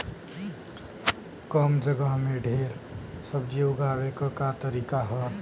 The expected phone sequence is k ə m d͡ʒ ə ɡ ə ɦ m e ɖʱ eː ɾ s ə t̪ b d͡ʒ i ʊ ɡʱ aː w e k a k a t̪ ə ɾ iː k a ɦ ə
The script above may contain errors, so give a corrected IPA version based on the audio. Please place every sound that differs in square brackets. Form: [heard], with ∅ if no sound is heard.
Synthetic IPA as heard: k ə m d͡ʒ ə ɡ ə ɦ m e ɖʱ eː ɾ s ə [∅] b d͡ʒ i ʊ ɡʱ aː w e k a k a t̪ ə ɾ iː k a ɦ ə